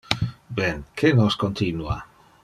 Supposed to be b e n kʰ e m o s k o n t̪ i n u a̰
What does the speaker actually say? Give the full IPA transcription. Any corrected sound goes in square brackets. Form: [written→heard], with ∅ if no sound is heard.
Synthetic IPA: b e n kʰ e [m→n] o s k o n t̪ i n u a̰